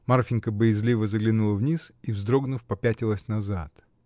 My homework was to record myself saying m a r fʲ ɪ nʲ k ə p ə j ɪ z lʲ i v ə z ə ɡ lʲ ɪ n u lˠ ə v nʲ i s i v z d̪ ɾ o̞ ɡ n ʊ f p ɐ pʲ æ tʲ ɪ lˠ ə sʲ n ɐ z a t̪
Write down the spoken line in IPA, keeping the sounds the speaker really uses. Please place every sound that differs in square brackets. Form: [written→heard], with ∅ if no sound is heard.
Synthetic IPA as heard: m a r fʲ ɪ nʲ k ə [p→b] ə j ɪ z lʲ i v ə z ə ɡ lʲ ɪ n u lˠ ə v nʲ i s i v z d̪ ɾ o̞ ɡ n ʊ f p ɐ pʲ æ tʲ ɪ lˠ ə sʲ n ɐ z a t̪